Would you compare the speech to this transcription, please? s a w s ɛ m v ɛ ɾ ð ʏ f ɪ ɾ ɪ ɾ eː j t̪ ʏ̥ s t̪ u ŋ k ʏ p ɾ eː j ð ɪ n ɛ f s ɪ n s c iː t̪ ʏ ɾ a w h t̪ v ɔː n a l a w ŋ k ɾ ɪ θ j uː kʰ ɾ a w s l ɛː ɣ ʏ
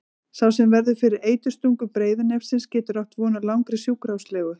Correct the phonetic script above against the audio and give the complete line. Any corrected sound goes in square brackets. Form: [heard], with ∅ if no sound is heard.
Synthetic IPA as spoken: s a w s ɛ m v ɛ ɾ ð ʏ f ɪ ɾ ɪ ɾ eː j t̪ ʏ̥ s t̪ u ŋ k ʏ p ɾ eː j ð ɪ n ɛ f s ɪ n s c [ɛː] t̪ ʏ ɾ a w h t̪ v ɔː n a l a w ŋ k ɾ ɪ [s] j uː [k] ɾ a w s l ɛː ɣ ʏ